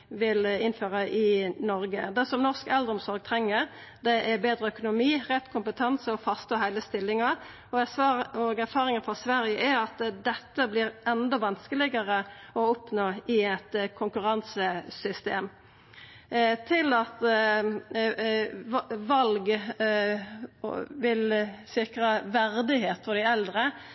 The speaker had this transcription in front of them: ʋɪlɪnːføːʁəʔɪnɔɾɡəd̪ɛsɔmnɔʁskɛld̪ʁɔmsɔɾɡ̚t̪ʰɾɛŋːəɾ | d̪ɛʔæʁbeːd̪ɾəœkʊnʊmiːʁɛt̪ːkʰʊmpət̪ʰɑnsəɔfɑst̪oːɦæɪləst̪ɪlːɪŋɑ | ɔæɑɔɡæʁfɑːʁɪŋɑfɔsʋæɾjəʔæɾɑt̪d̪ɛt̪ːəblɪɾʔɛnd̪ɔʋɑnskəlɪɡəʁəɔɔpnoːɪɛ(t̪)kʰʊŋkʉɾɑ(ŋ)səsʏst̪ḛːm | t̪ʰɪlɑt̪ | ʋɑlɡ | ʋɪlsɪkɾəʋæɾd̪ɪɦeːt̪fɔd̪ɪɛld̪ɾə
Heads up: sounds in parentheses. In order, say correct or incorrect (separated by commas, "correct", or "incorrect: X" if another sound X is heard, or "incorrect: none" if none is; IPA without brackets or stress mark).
correct, incorrect: n